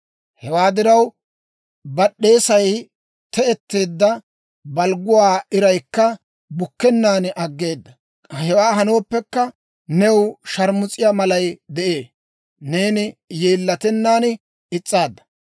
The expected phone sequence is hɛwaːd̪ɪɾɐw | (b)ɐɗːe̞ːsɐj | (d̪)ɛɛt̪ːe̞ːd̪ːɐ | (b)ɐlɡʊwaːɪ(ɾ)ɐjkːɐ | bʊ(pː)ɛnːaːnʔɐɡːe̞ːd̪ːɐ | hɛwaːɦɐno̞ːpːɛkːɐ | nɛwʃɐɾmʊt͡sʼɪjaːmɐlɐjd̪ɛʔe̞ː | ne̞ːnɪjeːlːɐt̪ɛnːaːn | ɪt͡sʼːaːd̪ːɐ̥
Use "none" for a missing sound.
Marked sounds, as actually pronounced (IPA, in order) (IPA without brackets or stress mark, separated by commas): b, t̪, b, ɾ, kː